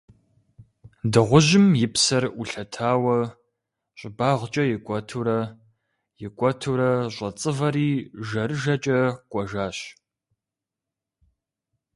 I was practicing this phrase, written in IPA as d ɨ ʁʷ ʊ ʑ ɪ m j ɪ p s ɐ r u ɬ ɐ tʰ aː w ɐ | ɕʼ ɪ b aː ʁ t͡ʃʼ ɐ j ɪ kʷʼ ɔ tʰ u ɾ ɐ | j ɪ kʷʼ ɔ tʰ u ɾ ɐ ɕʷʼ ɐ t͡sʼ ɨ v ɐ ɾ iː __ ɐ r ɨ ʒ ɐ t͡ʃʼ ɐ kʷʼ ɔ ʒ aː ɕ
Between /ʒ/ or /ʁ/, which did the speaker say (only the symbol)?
ʒ